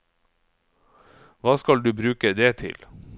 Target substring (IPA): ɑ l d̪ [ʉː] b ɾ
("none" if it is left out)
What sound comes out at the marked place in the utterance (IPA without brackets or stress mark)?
ʉː